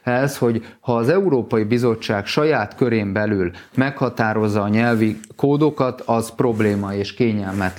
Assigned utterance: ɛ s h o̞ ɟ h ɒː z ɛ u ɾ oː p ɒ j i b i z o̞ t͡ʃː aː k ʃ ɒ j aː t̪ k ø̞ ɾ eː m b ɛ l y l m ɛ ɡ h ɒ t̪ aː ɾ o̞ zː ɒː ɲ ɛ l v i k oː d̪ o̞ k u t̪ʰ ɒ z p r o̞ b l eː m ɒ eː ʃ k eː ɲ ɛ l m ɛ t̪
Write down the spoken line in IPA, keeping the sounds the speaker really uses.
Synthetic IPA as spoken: ɛ s h o̞ ɟ h ɒː z ɛ u ɾ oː p ɒ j i b i z o̞ t͡ʃː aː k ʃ ɒ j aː t̪ k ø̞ ɾ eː m b ɛ l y l m ɛ k h ɒ t̪ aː ɾ o̞ zː ɒː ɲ ɛ l v i k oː d̪ o̞ k ɒ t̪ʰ ɒ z p r o̞ b l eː m ɒ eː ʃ k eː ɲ ɛ l m ɛ t̪